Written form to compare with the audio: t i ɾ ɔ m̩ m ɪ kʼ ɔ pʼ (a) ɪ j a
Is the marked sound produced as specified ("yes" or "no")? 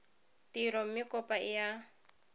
yes